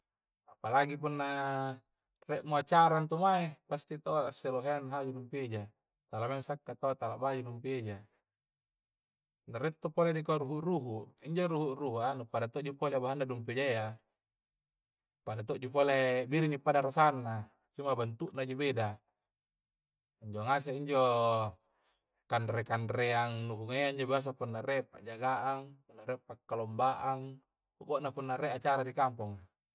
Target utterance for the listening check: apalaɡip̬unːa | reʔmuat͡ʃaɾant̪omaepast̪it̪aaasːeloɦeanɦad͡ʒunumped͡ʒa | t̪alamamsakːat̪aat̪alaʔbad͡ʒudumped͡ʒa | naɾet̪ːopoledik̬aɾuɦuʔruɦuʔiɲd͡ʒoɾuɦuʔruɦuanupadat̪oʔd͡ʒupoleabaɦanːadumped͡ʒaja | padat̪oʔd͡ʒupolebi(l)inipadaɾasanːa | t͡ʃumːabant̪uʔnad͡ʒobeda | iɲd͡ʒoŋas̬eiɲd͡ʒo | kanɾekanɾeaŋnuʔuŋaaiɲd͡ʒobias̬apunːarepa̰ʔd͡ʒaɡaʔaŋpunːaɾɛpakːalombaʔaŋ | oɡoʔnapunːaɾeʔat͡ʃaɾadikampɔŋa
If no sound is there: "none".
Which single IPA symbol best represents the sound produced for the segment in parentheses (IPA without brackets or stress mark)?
ɾ